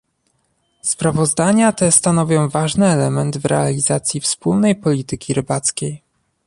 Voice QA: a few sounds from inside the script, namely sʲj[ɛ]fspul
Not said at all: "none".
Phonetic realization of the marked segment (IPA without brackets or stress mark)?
i